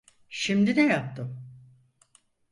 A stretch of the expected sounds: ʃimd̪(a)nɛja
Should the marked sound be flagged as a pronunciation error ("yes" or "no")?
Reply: yes